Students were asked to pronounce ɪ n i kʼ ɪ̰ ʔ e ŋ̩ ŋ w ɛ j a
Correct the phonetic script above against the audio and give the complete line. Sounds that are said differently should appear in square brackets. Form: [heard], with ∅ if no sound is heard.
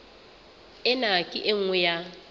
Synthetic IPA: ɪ n [a] kʼ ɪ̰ ʔ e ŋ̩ ŋ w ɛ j a